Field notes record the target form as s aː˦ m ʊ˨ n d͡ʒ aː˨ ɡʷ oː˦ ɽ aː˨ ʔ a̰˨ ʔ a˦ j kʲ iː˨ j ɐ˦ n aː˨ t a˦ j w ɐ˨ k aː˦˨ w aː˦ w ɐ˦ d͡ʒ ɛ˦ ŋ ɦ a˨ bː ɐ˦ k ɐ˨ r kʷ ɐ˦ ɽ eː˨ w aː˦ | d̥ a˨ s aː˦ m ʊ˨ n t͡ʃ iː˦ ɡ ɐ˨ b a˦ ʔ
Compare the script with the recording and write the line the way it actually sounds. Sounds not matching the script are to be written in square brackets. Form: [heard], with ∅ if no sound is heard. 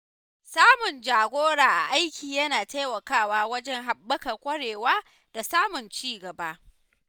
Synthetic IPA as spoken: s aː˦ m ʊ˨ n d͡ʒ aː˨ ɡʷ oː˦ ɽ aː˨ ʔ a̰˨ ʔ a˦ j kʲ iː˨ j ɐ˦ n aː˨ t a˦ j w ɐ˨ k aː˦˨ w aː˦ w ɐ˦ d͡ʒ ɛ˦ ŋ ɦ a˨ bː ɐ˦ k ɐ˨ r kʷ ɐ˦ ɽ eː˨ w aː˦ | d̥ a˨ s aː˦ m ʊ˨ n t͡ʃ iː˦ ɡ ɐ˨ b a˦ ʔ